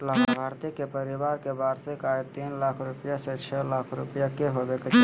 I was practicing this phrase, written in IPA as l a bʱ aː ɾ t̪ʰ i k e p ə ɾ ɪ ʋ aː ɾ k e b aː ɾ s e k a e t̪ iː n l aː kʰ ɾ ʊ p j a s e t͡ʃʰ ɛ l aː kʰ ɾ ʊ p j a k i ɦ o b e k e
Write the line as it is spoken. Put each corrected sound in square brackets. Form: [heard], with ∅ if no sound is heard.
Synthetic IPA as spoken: l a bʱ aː ɾ [t̪] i k e p ə ɾ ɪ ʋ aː ɾ k e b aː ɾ s e k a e t̪ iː n l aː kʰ ɾ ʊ p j a s e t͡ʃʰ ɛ l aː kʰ ɾ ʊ p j a k [e] ɦ o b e k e